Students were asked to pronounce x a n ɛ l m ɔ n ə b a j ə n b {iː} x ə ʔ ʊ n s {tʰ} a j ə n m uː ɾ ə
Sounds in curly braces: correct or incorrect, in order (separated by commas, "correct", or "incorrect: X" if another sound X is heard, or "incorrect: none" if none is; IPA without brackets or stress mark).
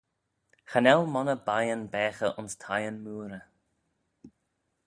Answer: incorrect: ɛː, correct